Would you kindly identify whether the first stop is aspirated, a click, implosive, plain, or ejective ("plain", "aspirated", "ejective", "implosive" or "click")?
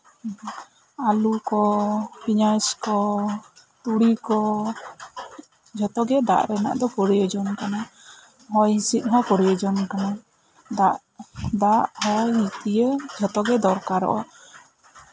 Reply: plain